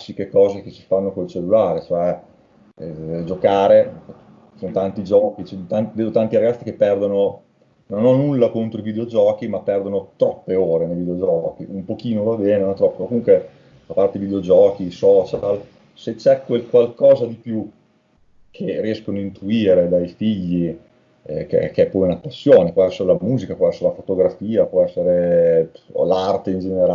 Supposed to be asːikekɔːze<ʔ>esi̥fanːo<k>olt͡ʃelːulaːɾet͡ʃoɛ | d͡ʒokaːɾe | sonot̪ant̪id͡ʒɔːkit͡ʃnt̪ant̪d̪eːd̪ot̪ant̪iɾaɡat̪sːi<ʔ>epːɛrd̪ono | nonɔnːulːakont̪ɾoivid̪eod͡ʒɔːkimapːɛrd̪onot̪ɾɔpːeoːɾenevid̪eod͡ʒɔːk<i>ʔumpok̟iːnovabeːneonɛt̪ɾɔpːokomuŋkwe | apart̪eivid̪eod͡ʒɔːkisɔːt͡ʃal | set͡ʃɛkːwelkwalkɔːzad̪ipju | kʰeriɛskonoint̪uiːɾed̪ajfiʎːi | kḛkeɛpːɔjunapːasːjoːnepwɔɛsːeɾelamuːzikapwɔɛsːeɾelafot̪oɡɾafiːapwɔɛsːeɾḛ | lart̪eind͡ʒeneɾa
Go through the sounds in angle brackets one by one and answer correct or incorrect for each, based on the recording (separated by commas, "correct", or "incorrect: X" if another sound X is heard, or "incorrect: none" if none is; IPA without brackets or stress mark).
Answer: incorrect: k, correct, incorrect: k, correct